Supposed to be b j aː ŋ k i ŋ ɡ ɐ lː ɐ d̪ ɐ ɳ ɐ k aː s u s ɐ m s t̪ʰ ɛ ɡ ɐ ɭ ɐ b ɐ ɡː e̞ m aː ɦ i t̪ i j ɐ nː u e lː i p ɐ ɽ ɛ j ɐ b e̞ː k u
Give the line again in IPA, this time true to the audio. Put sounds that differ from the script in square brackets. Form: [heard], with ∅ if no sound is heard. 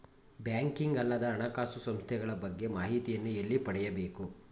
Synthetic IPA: b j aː ŋ k i ŋ ɡ ɐ lː ɐ d̪ [ɐː] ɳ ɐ k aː s u s ɐ m s t̪ʰ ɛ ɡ ɐ ɭ ɐ b ɐ ɡː e̞ m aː ɦ i t̪ i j ɐ nː u e lː i p ɐ ɽ ɛ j ɐ b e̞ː k u

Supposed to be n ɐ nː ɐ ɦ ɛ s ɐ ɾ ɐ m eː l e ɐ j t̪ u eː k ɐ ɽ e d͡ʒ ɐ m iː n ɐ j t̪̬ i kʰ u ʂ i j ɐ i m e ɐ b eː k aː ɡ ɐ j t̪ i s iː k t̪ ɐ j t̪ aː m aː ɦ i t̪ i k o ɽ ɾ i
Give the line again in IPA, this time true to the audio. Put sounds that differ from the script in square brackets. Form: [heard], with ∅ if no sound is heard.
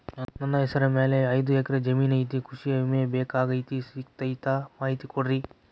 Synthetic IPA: n ɐ nː ɐ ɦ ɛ s ɐ ɾ ɐ m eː l e ɐ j [d̪] u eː k ɐ [ɾ] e d͡ʒ ɐ m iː n ɐ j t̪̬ i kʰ u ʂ i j ɐ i m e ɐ b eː k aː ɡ ɐ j t̪ i s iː k t̪ ɐ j t̪ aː m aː ɦ i t̪ i k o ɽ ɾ i

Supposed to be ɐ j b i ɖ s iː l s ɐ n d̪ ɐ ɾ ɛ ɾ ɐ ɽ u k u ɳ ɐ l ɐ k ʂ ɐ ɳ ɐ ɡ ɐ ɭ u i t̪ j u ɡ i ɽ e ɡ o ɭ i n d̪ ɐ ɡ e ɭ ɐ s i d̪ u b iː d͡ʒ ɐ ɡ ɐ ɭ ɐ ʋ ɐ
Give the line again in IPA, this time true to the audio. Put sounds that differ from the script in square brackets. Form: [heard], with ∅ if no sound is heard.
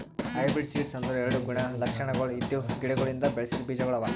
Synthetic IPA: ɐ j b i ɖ s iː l s ɐ n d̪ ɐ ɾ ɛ ɾ ɐ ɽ u [ɡ] u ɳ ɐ l ɐ k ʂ ɐ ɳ ɐ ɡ ɐ ɭ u i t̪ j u ɡ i ɽ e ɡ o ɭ i n d̪ ɐ [b] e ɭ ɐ s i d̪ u b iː d͡ʒ ɐ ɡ ɐ ɭ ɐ ʋ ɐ

